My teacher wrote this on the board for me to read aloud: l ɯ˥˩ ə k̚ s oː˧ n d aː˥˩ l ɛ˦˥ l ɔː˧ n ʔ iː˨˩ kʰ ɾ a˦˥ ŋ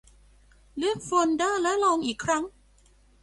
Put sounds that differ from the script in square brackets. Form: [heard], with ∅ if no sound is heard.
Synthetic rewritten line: l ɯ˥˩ ə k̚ [f] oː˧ n d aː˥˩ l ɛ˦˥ l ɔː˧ [ŋ] ʔ iː˨˩ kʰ ɾ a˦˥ ŋ